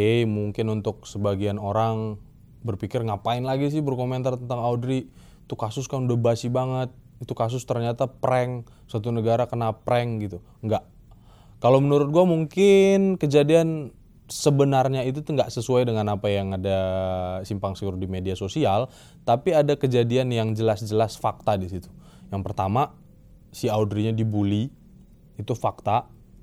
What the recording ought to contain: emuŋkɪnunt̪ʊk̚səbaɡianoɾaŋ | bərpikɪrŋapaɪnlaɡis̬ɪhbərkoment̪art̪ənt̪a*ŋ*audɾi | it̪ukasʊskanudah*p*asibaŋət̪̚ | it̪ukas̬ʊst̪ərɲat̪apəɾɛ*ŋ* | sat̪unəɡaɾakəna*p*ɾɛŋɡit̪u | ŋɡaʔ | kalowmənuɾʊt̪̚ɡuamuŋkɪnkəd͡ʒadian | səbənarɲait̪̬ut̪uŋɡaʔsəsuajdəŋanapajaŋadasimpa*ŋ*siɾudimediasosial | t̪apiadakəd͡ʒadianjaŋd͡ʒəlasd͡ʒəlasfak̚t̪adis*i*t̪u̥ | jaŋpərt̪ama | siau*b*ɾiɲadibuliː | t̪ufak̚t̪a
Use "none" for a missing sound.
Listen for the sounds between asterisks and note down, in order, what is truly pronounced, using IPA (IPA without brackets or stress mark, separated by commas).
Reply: ŋ, b, ŋ, p, ŋ, i, d